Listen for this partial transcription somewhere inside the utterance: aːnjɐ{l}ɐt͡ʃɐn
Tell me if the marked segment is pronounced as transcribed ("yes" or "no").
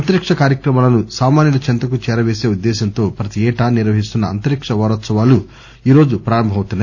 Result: yes